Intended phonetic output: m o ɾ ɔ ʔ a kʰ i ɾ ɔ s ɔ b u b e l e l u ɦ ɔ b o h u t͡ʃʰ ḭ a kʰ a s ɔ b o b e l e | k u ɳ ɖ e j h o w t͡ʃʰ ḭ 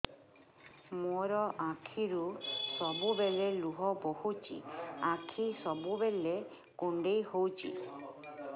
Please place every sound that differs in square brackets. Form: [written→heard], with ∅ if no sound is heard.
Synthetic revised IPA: m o ɾ ɔ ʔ a kʰ i ɾ [ɔ→u] s ɔ b u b e l e l u ɦ ɔ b o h u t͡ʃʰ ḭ a kʰ [a→i] s ɔ b [o→u] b e l e | k u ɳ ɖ e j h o w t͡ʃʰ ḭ